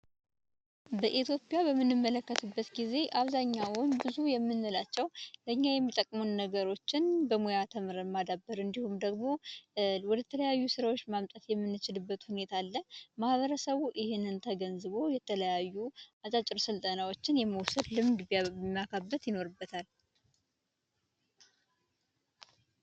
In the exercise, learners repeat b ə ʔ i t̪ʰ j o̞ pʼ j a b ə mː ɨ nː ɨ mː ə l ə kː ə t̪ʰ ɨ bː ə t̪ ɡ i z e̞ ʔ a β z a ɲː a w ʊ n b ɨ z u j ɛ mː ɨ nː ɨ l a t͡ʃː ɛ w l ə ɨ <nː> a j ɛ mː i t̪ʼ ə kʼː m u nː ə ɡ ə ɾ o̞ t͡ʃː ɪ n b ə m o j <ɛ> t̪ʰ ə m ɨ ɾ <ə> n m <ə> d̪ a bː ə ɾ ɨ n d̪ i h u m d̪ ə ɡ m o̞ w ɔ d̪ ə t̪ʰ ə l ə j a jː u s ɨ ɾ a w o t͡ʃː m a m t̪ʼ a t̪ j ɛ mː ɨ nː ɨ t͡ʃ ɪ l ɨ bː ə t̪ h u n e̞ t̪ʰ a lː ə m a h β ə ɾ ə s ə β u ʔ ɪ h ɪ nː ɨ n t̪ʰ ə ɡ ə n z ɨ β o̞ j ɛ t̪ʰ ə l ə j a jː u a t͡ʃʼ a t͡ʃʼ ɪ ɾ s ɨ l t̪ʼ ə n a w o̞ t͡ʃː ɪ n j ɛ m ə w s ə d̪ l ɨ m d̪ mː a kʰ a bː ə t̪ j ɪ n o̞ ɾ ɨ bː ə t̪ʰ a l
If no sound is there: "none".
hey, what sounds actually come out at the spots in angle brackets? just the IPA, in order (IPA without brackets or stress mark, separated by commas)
ɲː, a, ə, a